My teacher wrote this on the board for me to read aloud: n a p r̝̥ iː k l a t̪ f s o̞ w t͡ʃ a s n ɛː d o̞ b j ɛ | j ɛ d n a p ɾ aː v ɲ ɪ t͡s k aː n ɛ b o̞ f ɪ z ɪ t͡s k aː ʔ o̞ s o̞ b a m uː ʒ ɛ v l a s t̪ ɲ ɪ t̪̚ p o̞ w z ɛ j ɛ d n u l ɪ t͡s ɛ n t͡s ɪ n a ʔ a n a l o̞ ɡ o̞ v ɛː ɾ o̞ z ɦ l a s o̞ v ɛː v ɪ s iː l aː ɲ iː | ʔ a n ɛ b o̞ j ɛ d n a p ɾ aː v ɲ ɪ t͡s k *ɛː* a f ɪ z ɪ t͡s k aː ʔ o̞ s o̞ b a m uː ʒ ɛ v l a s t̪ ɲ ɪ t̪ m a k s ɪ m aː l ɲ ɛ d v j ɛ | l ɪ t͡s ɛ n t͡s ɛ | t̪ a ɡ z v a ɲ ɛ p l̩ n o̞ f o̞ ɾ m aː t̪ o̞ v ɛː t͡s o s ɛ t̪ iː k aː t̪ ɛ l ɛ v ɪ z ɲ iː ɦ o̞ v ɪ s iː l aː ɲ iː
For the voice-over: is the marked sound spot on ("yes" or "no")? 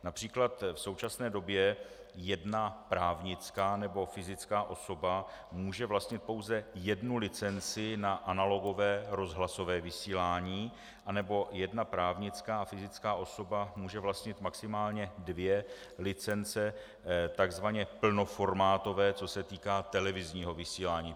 no